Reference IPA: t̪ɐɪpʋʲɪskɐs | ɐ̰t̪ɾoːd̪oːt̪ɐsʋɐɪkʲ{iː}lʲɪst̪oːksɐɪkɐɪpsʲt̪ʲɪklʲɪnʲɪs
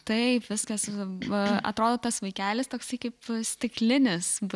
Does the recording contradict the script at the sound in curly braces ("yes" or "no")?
yes